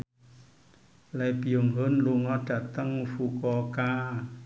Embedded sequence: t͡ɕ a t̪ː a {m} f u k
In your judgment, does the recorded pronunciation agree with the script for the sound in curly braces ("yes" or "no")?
no